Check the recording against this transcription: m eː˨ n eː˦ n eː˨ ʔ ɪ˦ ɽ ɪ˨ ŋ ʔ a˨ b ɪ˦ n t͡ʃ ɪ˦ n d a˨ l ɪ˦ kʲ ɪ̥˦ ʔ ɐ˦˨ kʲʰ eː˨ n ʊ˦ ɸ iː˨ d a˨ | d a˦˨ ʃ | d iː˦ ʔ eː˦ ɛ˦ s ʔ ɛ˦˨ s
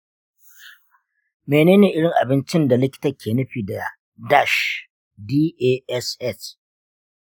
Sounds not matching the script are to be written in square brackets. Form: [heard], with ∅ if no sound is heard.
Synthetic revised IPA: m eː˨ n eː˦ n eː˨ ʔ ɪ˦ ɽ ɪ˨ ŋ ʔ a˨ b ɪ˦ n t͡ʃ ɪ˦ n d a˨ l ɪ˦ kʲ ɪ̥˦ [t] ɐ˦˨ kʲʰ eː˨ n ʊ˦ ɸ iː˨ d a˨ | d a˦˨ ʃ | d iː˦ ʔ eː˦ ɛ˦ s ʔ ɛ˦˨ s

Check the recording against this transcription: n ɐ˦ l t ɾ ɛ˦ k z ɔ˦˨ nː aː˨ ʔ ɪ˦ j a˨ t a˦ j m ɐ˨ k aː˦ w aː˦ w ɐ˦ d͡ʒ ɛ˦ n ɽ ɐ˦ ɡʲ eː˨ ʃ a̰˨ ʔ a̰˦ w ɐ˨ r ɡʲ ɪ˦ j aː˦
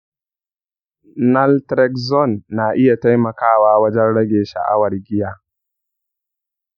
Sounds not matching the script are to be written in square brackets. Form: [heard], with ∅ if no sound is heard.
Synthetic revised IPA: n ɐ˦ l t ɾ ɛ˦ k z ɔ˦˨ nː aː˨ ʔ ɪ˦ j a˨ t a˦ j m ɐ˨ k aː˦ w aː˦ w ɐ˦ d͡ʒ ɛ˦ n ɽ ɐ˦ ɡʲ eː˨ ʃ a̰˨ ʔ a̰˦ w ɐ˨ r ɡʲ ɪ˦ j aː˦

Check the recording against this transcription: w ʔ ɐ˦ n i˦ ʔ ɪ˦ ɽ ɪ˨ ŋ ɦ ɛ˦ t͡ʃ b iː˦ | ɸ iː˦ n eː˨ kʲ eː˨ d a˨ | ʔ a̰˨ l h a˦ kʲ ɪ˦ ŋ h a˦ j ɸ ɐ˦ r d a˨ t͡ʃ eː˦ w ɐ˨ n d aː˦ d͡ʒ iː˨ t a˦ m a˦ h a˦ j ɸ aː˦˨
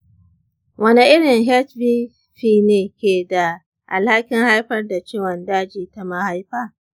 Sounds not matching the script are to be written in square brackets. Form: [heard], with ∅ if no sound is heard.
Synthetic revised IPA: w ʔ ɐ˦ n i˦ ʔ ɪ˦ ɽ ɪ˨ ŋ ɦ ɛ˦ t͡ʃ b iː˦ | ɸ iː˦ n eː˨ kʲ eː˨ d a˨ | ʔ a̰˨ l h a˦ kʲ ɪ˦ ŋ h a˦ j ɸ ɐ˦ r d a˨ t͡ʃ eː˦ w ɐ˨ n d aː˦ d͡ʒ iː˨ t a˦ m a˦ h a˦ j ɸ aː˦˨

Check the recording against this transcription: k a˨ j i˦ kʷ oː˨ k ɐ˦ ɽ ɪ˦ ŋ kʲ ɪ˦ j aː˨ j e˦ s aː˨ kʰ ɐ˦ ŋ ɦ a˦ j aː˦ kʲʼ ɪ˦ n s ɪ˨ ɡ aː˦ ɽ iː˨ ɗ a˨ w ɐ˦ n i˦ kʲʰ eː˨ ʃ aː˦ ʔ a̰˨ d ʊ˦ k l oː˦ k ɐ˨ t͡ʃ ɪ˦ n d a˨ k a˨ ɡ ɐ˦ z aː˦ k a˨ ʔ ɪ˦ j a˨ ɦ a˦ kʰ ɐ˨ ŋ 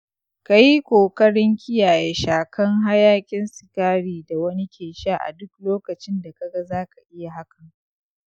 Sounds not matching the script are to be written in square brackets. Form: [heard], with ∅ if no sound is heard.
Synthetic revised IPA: k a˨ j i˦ kʷ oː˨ k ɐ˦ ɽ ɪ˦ ŋ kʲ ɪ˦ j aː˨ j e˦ [ʃ] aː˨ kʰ ɐ˦ ŋ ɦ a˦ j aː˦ kʲʼ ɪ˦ n s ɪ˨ [k] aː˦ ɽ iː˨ [d] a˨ w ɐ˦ n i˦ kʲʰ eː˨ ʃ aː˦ ʔ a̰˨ d ʊ˦ k l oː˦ k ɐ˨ t͡ʃ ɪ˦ n d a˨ k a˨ ɡ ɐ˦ z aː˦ k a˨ ʔ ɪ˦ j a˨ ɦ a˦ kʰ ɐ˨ ŋ

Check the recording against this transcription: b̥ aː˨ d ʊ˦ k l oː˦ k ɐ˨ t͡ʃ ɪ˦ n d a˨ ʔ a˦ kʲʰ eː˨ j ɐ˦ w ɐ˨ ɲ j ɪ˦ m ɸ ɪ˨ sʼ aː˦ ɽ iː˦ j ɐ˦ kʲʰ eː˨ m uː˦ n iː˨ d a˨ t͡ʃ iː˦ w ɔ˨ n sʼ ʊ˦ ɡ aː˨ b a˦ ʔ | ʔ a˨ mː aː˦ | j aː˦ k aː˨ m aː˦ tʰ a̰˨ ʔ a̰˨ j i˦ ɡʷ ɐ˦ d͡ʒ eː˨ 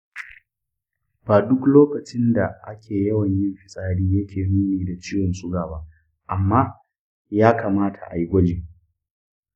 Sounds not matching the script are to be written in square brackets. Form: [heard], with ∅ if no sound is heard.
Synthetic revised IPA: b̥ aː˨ d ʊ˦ k l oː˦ k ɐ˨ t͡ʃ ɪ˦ n d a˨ ʔ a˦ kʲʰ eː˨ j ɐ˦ w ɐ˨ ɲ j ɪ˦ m ɸ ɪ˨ sʼ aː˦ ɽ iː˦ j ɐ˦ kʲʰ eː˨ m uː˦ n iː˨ d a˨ t͡ʃ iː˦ w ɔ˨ n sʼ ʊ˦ ɡ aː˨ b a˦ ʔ | ʔ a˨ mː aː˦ | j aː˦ k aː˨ m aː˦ tʰ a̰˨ ʔ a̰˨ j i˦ ɡʷ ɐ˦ d͡ʒ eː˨

